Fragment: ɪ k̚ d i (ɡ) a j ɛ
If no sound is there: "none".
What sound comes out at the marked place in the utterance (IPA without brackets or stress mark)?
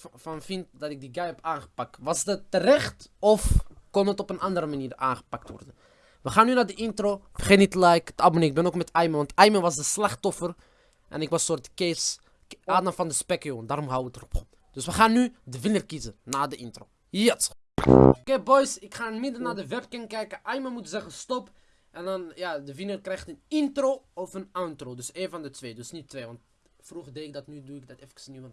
ɡ